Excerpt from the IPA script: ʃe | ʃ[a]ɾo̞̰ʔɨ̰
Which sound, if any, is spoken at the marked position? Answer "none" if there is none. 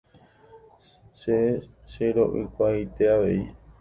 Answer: e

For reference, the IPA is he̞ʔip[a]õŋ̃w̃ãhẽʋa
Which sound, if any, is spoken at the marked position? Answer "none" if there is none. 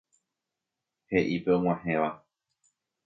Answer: e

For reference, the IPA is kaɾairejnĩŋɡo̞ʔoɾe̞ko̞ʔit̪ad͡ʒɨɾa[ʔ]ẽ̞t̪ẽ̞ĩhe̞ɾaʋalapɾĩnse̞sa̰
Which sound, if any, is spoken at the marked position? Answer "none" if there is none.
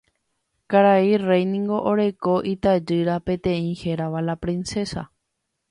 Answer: p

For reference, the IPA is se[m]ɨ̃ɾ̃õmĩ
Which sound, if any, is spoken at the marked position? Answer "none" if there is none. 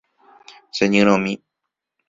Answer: ɲ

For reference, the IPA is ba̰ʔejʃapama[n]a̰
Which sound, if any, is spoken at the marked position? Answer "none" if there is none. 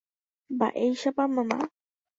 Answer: m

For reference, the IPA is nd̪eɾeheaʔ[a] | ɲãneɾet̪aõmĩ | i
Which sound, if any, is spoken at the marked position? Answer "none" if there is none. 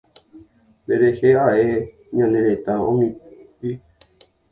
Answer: e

